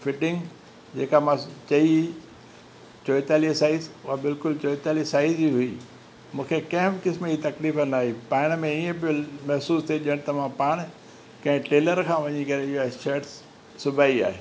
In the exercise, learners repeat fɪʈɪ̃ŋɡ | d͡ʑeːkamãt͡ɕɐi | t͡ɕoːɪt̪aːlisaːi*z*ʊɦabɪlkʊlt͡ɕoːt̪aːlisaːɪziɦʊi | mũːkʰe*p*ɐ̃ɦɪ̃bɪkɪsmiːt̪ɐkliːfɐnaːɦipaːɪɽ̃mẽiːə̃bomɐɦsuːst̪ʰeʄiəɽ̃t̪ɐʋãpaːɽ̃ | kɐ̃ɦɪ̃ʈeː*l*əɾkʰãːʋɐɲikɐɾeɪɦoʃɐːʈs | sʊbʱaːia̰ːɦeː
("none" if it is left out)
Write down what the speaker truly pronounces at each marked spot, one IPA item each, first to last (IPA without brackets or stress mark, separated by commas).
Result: z, k, l